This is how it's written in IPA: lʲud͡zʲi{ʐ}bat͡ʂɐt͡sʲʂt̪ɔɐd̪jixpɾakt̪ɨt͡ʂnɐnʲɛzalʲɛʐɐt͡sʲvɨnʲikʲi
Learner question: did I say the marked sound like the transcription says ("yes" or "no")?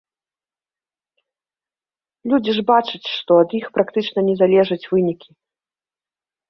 yes